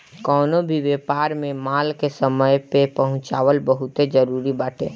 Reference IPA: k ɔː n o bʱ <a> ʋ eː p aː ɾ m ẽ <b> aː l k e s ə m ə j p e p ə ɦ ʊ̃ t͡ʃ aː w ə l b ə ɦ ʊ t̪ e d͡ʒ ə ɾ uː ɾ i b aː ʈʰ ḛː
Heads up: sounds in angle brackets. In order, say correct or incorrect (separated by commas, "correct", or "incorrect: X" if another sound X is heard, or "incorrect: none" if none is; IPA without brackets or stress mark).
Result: incorrect: i, incorrect: m